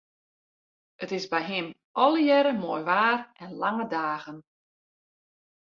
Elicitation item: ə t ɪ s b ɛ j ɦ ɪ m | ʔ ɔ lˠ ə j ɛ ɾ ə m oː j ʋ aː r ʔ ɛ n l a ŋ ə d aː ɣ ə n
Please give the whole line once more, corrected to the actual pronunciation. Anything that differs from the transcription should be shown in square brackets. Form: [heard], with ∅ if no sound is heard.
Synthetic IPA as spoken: ə t ɪ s b ɛ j ɦ ɪ m | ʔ ɔ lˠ ə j ɛ ɾ ə m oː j ʋ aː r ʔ ɛ n l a ŋ ə d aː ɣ ə n